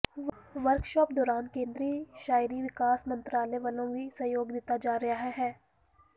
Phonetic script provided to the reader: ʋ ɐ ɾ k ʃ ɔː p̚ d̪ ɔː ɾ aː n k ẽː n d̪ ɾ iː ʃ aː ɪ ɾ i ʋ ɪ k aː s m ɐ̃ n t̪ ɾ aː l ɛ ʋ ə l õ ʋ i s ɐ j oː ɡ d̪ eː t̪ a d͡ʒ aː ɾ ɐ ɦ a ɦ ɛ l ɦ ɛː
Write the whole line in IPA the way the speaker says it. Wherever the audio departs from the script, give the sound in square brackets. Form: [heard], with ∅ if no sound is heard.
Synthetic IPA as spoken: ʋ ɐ ɾ k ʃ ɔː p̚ d̪ ɔː ɾ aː n k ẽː n d̪ ɾ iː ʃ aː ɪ ɾ i ʋ ɪ k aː s m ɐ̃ n t̪ ɾ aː l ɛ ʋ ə l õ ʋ i s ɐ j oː ɡ d̪ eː t̪ a d͡ʒ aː ɾ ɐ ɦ a ɦ ɛ [∅] ɦ ɛː